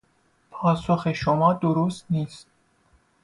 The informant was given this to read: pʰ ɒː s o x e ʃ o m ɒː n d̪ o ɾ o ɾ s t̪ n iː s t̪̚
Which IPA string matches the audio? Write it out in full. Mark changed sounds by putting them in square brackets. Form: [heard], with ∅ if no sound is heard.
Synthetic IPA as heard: pʰ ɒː s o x e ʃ o m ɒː [∅] d̪ o ɾ o [∅] s t̪ n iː s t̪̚